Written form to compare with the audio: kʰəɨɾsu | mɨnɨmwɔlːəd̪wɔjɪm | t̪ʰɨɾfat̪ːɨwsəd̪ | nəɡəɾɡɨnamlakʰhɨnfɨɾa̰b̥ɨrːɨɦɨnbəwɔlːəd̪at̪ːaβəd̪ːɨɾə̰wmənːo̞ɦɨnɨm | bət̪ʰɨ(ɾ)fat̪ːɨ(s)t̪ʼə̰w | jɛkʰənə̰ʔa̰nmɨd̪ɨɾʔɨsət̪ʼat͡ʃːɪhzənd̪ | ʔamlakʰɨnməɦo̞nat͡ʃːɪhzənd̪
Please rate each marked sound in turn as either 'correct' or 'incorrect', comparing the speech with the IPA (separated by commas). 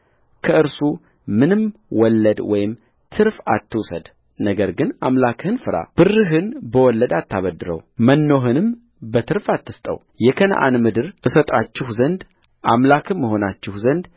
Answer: correct, correct